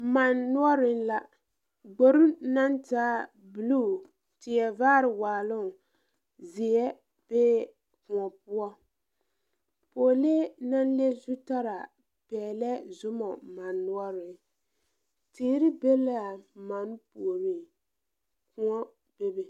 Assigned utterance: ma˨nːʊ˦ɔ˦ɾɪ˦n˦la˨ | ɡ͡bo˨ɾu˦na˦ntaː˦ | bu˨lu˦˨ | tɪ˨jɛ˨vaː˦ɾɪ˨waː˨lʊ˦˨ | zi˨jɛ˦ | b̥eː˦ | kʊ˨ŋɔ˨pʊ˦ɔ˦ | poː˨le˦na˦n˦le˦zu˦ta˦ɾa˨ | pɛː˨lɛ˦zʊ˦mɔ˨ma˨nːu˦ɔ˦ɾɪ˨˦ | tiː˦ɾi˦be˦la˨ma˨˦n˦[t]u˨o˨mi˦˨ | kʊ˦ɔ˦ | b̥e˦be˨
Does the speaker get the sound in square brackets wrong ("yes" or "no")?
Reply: yes